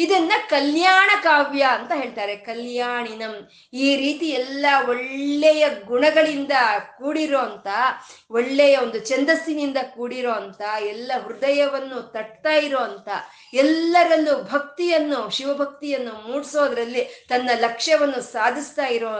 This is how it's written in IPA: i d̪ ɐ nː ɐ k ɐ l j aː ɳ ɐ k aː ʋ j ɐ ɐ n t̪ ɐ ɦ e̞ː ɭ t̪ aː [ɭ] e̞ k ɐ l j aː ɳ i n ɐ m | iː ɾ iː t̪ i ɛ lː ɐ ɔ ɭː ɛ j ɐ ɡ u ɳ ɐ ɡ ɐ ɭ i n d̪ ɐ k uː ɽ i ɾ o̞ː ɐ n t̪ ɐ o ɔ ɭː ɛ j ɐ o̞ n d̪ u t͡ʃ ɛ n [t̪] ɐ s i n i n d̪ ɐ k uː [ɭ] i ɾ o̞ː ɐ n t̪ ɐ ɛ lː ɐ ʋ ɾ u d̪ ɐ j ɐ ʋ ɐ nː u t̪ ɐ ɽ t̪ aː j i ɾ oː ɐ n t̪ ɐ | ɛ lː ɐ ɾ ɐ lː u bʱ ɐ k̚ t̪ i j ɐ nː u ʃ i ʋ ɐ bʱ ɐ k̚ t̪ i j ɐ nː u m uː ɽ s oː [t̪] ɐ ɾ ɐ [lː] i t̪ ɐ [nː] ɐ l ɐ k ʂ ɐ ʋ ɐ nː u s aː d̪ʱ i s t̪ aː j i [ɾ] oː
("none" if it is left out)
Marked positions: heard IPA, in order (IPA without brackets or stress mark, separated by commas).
ɾ, d̪, ɽ, d̪, lː, nː, ɾ